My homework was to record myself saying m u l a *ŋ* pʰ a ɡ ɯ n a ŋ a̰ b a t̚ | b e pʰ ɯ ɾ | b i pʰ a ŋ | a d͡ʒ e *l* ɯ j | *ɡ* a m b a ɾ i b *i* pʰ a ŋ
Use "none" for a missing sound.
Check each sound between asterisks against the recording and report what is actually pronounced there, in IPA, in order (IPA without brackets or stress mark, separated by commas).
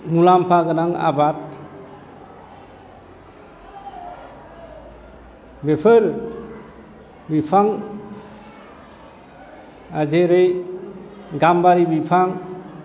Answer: m, ɾ, ɡ, i